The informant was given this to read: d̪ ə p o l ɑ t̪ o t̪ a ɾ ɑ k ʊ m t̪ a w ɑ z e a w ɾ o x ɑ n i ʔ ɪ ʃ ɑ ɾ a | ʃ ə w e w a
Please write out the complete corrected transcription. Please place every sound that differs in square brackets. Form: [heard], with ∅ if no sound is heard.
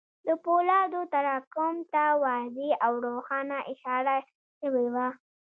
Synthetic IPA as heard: d̪ ə p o l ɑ [d̪] o t̪ a ɾ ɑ k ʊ m t̪ a w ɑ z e a w ɾ o x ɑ n [a] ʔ ɪ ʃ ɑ ɾ a | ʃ ə w e w a